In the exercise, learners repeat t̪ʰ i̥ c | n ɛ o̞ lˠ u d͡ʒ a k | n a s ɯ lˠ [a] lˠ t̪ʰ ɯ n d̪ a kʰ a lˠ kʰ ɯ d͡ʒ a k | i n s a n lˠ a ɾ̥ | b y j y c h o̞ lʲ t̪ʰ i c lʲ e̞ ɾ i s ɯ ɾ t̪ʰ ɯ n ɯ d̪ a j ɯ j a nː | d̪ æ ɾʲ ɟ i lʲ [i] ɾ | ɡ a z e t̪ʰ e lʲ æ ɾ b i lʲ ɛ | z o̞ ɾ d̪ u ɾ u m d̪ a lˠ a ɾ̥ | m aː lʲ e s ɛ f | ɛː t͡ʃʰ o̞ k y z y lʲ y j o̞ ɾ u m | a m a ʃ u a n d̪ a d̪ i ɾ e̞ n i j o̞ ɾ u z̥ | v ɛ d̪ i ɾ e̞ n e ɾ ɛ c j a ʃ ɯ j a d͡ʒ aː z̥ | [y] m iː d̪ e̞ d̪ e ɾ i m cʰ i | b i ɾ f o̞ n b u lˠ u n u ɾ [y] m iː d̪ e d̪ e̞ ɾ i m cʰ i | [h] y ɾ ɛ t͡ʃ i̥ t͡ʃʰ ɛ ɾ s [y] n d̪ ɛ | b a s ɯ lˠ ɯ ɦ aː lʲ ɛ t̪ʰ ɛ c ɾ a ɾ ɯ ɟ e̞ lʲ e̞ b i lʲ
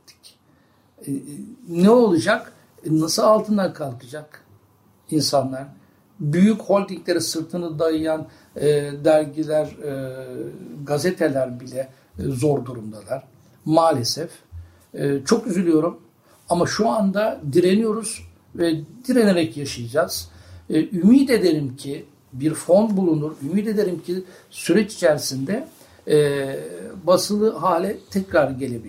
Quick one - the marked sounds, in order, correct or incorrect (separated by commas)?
correct, incorrect, correct, correct, incorrect, incorrect